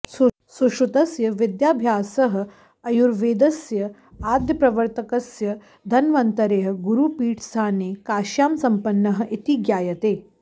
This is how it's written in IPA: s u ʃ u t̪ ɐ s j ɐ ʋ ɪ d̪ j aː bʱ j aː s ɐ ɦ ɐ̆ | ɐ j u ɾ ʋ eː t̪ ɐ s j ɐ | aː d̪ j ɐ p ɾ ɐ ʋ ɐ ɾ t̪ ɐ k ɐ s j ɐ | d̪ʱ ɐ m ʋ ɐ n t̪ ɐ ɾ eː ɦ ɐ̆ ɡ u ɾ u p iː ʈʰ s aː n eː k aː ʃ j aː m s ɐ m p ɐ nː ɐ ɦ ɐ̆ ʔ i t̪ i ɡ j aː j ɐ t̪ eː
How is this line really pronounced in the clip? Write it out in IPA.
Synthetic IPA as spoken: s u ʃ u t̪ ɐ s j ɐ ʋ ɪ d̪ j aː bʱ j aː s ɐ ɦ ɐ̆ | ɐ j u ɾ ʋ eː d̪ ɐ s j ɐ | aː d̪ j ɐ p ɾ ɐ ʋ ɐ ɾ t̪ ɐ k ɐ s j ɐ | d̪ʱ ɐ n ʋ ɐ n t̪ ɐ ɾ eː ɦ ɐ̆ ɡ u ɾ u p iː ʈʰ s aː n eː k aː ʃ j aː m s ɐ m p ɐ nː ɐ ɦ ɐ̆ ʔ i t̪ i ɡ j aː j ɐ t̪ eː